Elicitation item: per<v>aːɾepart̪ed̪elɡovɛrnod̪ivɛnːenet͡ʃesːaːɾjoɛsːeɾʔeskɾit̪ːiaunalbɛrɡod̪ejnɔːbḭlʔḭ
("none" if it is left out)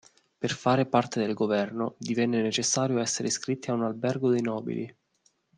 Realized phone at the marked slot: f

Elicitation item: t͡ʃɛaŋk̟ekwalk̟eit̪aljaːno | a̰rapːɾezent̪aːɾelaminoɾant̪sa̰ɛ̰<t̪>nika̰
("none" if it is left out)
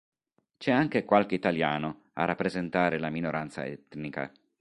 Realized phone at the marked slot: t̪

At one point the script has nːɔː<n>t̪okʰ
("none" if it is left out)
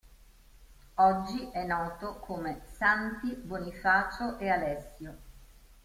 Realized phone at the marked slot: none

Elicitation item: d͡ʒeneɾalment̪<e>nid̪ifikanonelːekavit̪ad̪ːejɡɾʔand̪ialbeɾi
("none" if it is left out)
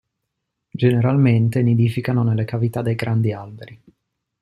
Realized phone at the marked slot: e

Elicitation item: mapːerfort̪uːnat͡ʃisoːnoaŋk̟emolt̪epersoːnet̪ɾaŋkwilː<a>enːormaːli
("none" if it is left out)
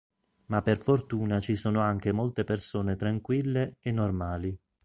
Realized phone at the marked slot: e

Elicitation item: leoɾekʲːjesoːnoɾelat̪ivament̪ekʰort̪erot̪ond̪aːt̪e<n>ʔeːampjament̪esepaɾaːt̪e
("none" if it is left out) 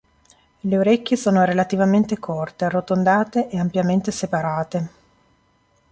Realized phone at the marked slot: none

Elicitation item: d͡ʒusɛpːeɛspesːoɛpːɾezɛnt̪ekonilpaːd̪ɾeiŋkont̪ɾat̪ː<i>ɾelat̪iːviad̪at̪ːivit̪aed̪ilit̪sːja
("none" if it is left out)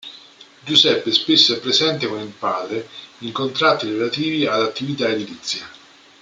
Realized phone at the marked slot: i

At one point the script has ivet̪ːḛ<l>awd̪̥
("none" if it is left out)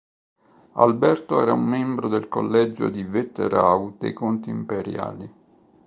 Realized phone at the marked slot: ɾ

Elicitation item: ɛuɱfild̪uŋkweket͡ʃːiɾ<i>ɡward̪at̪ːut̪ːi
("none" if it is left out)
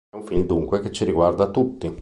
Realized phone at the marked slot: i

